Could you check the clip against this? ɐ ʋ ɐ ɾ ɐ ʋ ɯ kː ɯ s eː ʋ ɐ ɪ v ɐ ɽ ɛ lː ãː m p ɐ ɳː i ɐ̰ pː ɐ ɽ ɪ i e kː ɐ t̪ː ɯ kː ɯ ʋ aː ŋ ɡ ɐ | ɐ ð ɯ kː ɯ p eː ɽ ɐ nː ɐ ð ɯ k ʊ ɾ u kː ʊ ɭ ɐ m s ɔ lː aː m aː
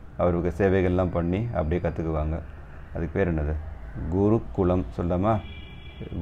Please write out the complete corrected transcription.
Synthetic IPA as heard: ɐ ʋ ɐ ɾ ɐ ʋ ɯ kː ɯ s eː ʋ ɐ ɪ ɣ ɐ ɭ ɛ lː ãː m p ɐ ɳː i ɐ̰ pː ɐ ɽ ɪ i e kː ɐ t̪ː ɯ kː ɯ ʋ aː ŋ ɡ ɐ | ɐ ð ɯ kː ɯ p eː ɾ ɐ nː ɐ ð ɯ ɡ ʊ ɾ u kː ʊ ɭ ɐ m s ɔ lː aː m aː